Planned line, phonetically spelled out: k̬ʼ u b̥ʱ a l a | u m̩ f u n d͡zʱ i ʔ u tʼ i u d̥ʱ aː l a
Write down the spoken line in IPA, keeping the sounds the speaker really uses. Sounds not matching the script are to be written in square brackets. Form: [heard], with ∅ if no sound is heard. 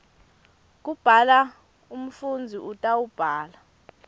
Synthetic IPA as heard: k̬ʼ u b̥ʱ a l a | u m̩ f u n d͡zʱ i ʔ u tʼ [a] u [b̥ʱ] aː l a